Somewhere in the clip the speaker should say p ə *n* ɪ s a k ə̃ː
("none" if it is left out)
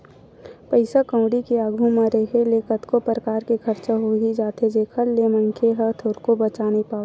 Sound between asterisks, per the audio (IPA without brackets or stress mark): none